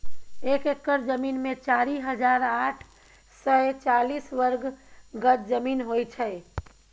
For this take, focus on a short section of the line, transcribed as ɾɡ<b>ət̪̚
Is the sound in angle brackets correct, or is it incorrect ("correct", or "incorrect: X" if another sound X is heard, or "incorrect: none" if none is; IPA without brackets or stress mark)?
incorrect: ɡ